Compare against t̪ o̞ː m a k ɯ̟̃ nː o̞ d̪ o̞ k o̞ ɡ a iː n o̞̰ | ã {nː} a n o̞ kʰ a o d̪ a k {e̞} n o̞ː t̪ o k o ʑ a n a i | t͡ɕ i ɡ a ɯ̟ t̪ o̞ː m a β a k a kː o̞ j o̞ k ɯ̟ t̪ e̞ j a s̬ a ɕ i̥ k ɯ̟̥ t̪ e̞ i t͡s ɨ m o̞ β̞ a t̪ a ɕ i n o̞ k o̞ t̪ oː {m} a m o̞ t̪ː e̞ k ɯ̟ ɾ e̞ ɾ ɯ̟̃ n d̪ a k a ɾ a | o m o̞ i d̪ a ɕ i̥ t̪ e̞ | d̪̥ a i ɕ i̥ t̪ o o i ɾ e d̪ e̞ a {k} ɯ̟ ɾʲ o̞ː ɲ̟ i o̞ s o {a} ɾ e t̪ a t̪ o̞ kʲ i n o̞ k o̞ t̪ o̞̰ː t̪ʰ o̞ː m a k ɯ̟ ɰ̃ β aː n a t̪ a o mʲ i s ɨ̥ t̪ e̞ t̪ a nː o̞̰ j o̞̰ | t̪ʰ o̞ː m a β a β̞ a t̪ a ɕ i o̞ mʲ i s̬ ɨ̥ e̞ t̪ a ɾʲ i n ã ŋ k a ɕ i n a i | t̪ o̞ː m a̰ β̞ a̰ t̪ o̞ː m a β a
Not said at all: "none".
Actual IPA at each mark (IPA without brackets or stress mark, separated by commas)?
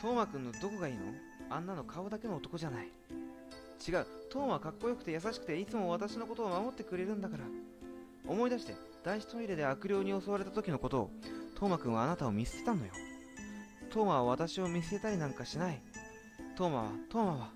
nː, e̞, m, k, a